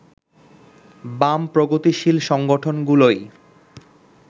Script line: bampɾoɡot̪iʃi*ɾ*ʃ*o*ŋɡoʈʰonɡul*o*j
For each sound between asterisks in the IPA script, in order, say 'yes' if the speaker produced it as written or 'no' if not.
no, no, yes

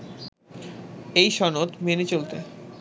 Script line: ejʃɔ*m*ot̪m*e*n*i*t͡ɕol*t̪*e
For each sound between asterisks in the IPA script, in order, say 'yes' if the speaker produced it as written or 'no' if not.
no, yes, no, yes

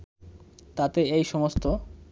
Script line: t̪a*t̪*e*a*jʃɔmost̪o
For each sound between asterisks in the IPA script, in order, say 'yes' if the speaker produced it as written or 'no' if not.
yes, no

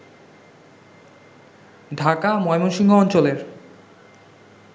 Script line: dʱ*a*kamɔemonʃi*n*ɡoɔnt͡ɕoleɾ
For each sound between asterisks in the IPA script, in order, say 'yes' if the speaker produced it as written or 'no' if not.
yes, no

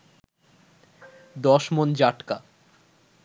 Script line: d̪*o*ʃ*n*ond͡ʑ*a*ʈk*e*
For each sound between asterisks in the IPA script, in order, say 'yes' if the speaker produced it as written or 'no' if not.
no, no, yes, no

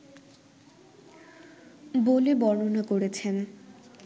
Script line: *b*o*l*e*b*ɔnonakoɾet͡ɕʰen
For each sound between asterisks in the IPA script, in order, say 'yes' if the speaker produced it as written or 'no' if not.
yes, yes, yes

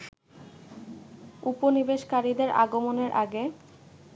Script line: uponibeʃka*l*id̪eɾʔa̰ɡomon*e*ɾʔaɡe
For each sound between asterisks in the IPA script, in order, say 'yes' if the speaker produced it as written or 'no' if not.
no, yes

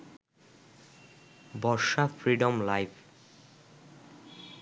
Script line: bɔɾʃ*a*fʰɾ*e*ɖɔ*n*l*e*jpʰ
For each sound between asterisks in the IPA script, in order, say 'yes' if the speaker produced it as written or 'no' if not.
yes, no, no, no

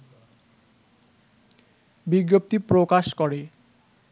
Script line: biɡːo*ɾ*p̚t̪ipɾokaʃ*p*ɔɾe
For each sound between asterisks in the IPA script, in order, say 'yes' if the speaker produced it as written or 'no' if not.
no, no

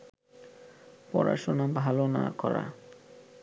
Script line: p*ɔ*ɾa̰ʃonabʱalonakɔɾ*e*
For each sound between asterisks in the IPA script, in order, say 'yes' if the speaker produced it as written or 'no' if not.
yes, no

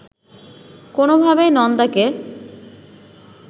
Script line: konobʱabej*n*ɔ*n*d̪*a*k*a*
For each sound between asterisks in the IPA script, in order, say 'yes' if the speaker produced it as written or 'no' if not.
yes, yes, yes, no

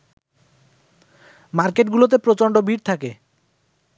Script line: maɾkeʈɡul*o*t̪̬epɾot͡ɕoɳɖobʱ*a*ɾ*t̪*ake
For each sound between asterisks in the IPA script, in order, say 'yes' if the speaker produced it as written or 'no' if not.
yes, no, no

